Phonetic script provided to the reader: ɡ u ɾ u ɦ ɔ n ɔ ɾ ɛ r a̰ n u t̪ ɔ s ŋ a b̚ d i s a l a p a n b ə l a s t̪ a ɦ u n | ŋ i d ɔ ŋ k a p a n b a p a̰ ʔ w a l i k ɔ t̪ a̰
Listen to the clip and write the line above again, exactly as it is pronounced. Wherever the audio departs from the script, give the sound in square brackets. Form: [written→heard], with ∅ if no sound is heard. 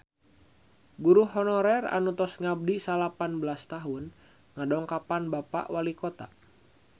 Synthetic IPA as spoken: ɡ u ɾ u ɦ ɔ n ɔ ɾ ɛ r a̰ n u t̪ ɔ s ŋ a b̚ d i s a l a p a n b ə l a s t̪ a ɦ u n | ŋ [i→a] d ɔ ŋ k a p a n b a p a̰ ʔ w a l i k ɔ t̪ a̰